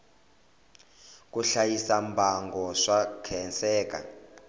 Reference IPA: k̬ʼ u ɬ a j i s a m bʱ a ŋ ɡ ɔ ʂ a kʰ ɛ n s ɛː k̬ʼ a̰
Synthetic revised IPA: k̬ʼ u ɬ a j i s a m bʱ a ŋ ɡ ɔ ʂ a kʰ ɛ n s ɛː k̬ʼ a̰